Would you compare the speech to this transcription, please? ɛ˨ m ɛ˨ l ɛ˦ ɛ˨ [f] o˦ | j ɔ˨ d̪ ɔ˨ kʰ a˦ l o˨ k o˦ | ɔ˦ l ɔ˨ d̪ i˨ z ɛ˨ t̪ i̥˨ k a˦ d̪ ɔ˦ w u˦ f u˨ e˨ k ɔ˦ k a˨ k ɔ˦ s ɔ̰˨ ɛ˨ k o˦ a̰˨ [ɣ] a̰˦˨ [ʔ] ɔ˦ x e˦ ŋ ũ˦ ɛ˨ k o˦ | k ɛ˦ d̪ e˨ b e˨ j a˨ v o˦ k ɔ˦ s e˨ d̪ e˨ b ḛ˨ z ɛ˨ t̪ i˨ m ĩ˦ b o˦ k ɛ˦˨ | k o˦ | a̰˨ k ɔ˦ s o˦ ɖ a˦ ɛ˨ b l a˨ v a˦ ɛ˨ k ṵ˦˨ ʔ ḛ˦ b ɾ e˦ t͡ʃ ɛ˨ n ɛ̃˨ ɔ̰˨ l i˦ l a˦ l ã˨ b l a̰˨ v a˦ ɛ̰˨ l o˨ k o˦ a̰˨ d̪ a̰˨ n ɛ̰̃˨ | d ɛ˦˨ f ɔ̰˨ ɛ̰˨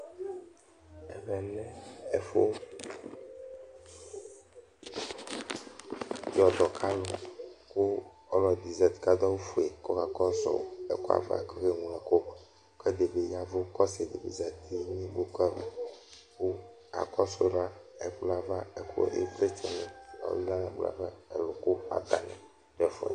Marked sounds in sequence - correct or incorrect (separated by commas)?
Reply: correct, incorrect, incorrect